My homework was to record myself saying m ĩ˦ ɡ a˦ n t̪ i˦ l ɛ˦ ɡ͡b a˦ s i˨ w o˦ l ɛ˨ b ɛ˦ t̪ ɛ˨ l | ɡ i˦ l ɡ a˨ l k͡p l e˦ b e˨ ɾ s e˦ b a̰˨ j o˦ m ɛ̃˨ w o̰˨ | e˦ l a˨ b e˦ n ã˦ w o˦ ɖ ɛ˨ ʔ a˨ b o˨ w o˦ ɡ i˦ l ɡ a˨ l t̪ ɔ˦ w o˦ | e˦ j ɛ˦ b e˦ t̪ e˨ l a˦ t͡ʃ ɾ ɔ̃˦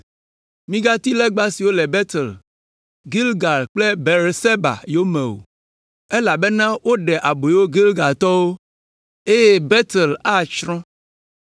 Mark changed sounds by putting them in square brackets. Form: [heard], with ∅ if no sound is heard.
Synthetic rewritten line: m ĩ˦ ɡ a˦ [∅] t̪ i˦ l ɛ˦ ɡ͡b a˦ s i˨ w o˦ l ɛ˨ b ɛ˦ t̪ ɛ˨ l | ɡ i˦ l ɡ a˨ l k͡p l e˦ b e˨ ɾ s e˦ b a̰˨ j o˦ m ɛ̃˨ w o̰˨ | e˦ l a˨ b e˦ n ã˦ w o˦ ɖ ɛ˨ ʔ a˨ b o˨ w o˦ ɡ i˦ l ɡ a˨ l t̪ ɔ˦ w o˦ | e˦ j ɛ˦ b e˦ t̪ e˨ l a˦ t͡ʃ ɾ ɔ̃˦